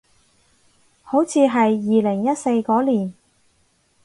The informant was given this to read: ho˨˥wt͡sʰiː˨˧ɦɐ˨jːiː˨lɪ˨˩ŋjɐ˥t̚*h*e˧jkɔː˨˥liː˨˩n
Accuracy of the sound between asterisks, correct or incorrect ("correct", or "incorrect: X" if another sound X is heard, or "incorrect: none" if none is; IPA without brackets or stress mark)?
incorrect: s